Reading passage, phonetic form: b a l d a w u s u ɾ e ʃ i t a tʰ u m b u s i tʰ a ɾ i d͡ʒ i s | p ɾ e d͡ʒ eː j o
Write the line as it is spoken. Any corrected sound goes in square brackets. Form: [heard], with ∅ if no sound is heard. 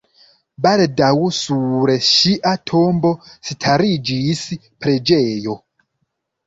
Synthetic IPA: b a l d a w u s u ɾ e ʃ i [ʔ] a tʰ [o] m b [o] s i tʰ a ɾ i d͡ʒ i s | p ɾ e d͡ʒ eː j o

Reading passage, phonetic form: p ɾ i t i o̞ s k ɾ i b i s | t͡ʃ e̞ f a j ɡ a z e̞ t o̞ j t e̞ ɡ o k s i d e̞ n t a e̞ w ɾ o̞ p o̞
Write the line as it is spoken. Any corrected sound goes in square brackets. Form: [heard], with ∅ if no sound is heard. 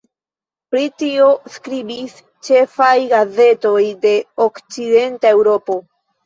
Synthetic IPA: p ɾ i t i o̞ s k ɾ i b i s | t͡ʃ e̞ f a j ɡ a z e̞ t o̞ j [d] e̞ [∅] o k [t͡s] i d e̞ n t a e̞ w ɾ o̞ p o̞

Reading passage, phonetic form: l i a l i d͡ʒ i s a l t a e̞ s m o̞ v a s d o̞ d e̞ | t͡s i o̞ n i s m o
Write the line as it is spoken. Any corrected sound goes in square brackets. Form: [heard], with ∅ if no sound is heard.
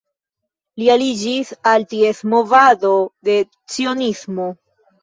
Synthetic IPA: l i a l i d͡ʒ i s a l t [i] e̞ s m o̞ v a [∅] d o̞ d e̞ | t͡s i o̞ n i s m o

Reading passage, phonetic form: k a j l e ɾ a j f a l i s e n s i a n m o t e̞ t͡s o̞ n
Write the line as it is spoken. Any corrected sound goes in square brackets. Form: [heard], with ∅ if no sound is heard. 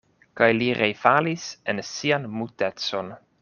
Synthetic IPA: k a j l [i] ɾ [e] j f a l i s e n s i a n m [u] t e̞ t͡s o̞ n

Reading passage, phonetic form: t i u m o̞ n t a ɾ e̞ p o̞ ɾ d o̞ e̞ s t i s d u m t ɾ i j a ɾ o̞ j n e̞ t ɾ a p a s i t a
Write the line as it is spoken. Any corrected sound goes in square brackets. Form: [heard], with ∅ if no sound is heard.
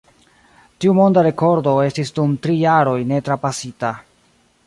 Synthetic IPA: t i u m o̞ n [d] a ɾ e̞ [k] o̞ ɾ d o̞ e̞ s t i s d u m t ɾ i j a ɾ o̞ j n e̞ t ɾ a p a s i t a

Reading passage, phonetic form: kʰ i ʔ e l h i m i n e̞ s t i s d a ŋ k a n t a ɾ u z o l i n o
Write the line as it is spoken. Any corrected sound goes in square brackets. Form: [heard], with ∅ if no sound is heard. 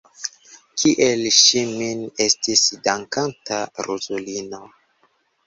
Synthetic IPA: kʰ i ʔ e l [ʃ] i m i n e̞ s t i s d a ŋ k a n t a ɾ u z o l i n o

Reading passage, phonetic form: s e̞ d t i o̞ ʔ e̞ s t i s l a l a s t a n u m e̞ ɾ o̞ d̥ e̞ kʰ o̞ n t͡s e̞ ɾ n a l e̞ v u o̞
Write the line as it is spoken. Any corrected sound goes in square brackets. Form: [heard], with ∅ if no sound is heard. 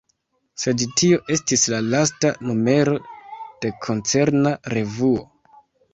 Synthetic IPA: s e̞ d t i o̞ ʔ e̞ s t i s l a l a s t a n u m e̞ ɾ o̞ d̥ e̞ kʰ o̞ n t͡s e̞ ɾ n a [ɾ] e̞ v u o̞

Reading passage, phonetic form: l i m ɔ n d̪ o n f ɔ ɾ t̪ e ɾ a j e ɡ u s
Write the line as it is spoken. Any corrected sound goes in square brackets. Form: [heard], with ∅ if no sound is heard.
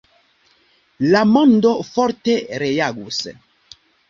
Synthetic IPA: l [a] m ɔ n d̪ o [∅] f ɔ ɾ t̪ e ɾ [e] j [a] ɡ u s

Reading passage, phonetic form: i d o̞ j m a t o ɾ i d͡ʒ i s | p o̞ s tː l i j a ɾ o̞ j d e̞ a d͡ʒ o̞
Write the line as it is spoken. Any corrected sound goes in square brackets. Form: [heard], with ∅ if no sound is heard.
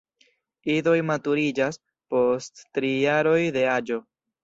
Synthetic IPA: i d o̞ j m a t [u] ɾ i d͡ʒ [a] s | p o̞ s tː [ɾ] i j a ɾ o̞ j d e̞ a d͡ʒ o̞

